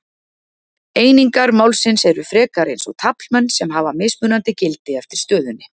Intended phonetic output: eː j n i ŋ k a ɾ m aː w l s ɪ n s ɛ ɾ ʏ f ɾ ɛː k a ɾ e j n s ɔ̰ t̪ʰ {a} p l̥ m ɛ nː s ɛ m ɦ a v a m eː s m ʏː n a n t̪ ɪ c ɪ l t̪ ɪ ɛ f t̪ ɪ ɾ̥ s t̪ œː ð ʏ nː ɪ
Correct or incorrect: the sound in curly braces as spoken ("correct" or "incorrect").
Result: correct